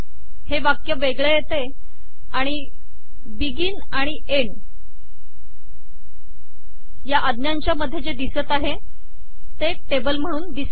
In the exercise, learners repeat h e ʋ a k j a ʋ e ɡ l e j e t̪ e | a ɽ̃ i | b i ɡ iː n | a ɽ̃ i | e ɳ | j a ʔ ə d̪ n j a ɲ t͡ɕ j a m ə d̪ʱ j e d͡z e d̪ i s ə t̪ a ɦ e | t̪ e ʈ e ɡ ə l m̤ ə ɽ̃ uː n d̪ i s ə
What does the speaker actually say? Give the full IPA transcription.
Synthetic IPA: h e ʋ a k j ə ʋ e ɡ ɭ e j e t̪ e | a ɽ̃ i | b i ɡ iː n | a ɽ̃ i | e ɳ | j a ʔ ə d̪ n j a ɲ t͡ɕ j a m ə d̪ʱ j e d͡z e d̪ i s ə t̪ a ɦ e | t̪ e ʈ e b ə l m̤ ə ɽ̃ uː n d̪ i s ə